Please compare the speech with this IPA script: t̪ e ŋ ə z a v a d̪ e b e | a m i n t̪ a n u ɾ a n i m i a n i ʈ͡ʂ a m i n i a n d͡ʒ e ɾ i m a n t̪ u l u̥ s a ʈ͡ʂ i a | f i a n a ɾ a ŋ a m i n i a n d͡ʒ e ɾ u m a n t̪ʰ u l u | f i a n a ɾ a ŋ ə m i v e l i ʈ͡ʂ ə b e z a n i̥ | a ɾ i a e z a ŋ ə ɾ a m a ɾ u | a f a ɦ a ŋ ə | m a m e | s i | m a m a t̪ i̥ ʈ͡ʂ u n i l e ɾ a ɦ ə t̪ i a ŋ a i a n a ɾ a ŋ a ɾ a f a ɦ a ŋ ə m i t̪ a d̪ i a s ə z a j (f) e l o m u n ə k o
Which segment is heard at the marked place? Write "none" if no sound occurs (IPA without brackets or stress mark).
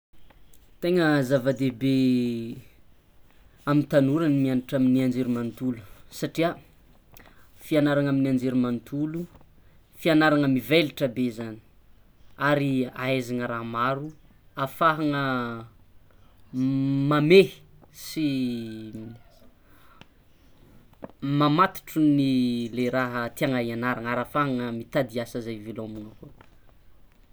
v